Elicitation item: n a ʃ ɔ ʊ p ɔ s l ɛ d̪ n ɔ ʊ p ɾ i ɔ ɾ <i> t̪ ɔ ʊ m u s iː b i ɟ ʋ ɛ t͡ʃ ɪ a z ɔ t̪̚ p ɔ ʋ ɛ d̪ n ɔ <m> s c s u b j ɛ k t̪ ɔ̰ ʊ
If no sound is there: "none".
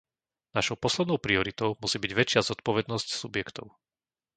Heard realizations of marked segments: i, none

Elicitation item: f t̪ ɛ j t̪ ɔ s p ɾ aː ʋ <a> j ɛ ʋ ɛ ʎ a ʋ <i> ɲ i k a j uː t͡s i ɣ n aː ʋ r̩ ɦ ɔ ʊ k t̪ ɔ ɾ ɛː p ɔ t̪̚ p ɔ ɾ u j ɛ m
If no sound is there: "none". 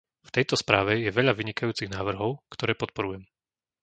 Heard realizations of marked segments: ɛ, i

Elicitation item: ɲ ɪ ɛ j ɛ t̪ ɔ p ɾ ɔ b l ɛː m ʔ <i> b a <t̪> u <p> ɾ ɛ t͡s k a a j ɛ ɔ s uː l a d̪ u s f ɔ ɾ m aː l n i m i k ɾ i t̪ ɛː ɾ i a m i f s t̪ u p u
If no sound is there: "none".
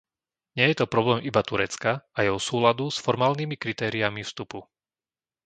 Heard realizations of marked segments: i, t̪, none

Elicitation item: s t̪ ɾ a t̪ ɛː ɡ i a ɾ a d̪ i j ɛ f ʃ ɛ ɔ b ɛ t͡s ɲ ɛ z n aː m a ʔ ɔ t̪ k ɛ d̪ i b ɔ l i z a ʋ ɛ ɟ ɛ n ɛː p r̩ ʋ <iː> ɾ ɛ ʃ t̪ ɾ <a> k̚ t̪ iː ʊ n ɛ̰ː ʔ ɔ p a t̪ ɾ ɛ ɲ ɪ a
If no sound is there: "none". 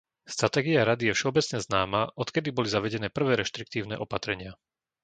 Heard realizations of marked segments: ɛː, i

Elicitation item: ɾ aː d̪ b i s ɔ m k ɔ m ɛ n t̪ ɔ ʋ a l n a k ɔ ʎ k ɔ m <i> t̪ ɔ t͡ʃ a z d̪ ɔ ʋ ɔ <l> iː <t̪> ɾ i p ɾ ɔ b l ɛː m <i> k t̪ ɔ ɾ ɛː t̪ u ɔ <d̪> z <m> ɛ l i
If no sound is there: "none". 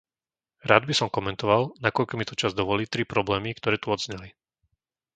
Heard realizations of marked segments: i, l, t̪, i, d̪, ɲ

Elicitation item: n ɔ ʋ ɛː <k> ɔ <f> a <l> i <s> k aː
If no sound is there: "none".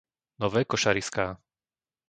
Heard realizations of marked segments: k, ʃ, ɾ, s

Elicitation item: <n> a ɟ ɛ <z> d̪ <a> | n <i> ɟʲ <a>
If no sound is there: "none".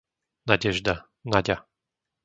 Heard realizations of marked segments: n, ʒ, a, a, a

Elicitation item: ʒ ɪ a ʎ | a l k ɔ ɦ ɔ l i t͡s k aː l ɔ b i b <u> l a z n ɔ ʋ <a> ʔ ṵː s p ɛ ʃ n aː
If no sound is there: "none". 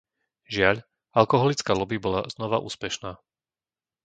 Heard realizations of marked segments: ɔ, a

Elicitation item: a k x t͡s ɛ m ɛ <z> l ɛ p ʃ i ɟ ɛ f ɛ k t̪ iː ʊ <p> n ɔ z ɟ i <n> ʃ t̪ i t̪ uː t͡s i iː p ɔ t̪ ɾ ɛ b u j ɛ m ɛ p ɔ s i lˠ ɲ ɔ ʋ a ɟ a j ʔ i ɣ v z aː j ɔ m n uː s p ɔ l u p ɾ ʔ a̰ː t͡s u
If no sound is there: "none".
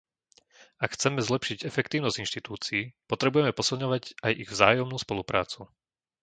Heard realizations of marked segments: z, none, n

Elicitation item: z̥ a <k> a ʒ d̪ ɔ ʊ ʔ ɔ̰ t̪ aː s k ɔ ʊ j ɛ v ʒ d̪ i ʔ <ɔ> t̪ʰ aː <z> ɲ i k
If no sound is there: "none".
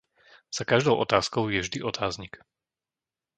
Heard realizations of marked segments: k, ɔ, z

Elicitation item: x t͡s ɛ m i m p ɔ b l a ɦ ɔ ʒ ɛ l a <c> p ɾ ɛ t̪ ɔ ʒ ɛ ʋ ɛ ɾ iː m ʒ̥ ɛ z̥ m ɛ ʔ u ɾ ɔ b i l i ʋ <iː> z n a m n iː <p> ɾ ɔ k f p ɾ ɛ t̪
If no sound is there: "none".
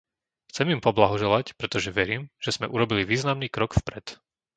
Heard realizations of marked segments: c, iː, k

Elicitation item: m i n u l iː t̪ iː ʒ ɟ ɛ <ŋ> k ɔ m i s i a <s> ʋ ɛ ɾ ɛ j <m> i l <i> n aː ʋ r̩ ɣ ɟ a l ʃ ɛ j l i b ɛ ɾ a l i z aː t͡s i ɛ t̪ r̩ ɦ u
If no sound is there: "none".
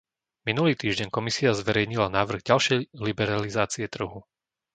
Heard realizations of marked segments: ɲ, z, ɲ, a

